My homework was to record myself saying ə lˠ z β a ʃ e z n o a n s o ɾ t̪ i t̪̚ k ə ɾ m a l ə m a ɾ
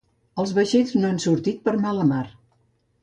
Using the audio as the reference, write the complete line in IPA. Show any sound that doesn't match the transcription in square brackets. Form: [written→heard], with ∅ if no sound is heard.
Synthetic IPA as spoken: ə lˠ z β [a→ə] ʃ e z n o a n s [o→u] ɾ t̪ i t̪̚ [k→p] ə ɾ m a l ə m a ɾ